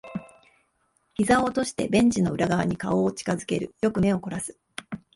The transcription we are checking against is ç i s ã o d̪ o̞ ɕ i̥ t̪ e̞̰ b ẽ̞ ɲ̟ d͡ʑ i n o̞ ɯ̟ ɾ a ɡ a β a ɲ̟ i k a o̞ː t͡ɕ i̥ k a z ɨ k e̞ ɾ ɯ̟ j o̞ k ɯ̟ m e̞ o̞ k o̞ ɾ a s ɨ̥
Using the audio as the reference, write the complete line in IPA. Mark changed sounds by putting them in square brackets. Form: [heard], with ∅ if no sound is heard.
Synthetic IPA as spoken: ç i [z] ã o [t̪] o̞ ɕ i̥ t̪ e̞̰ b ẽ̞ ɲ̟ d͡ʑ i n o̞ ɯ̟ ɾ a ɡ a β a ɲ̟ i k a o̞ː t͡ɕ i̥ k a z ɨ k e̞ ɾ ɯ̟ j o̞ k ɯ̟ m e̞ o̞ k o̞ ɾ a s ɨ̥